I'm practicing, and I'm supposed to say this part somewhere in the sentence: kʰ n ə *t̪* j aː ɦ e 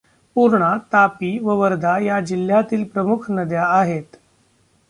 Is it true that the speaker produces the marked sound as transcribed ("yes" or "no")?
no